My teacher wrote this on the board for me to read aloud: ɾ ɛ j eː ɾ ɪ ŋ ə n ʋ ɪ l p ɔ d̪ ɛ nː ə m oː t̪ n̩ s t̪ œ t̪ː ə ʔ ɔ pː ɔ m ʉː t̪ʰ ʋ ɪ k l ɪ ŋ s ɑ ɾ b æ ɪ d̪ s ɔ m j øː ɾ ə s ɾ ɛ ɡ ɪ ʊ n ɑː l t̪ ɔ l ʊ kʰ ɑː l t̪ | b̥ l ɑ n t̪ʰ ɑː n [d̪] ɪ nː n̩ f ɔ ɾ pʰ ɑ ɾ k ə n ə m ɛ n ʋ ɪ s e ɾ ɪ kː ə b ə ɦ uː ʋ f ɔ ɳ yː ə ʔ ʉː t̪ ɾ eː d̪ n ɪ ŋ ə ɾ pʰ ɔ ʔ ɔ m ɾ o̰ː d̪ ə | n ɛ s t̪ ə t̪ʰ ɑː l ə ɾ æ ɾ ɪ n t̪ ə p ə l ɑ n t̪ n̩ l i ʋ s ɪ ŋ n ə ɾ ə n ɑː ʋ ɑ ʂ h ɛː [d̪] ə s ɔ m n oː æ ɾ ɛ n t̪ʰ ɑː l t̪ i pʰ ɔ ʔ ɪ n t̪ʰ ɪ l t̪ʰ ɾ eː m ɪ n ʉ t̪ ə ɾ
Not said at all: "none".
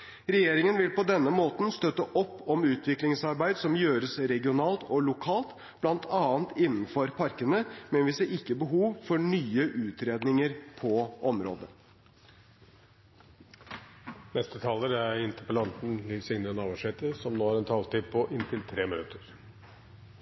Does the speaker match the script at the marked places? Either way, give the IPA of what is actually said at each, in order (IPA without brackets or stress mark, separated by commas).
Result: t̪, t̪